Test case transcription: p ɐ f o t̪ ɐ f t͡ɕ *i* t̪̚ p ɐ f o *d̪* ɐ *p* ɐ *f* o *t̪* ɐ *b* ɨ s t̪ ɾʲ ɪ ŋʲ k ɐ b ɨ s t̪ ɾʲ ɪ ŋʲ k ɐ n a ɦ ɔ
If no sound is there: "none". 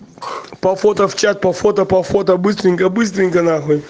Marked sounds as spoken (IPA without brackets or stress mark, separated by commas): a, t̪, p, f, t̪, b